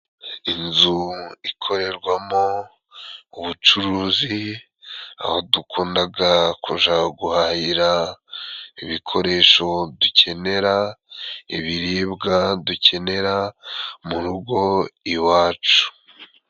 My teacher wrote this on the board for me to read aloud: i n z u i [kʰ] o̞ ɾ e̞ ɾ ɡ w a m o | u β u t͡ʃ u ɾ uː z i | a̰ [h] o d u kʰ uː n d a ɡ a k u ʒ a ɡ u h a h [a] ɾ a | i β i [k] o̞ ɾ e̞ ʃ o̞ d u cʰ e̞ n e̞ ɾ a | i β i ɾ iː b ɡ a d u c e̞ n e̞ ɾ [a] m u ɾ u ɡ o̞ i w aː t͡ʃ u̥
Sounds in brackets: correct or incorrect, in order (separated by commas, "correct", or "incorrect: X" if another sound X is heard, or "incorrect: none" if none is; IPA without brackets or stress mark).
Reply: correct, correct, incorrect: i, incorrect: kʰ, correct